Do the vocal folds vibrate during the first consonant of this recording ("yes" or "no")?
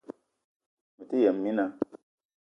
yes